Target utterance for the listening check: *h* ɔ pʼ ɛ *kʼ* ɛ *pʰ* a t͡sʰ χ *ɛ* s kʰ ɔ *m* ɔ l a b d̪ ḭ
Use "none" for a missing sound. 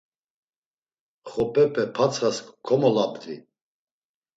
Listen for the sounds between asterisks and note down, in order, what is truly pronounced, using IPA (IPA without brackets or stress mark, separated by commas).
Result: χ, pʼ, pʰ, a, m